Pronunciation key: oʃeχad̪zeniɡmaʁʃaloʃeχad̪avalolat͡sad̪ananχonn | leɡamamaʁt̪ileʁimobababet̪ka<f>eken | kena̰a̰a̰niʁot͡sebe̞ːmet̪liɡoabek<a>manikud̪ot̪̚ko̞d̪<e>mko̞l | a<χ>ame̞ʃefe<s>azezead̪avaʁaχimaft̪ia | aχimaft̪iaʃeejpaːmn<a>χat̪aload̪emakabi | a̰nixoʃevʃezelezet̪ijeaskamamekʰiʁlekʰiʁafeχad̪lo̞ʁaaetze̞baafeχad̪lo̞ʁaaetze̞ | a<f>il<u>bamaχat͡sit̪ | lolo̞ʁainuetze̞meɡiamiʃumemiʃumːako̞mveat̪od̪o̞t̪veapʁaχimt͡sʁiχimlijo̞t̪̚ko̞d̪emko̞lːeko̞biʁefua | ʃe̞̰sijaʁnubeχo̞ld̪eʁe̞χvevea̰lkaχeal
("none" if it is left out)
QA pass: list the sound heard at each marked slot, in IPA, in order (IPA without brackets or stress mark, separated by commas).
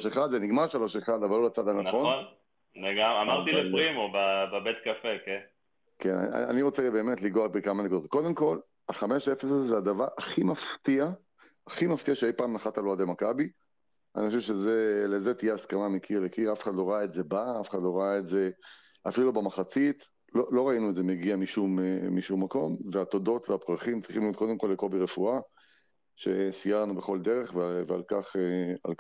f, a, e, χ, s, a, f, u